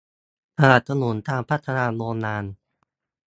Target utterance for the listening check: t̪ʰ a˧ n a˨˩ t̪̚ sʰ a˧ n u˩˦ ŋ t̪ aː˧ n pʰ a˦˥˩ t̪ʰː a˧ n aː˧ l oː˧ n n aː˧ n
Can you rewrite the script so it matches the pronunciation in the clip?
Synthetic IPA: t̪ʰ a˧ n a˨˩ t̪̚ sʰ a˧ n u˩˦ n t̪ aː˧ ŋ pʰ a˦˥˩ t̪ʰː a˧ n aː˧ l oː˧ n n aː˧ n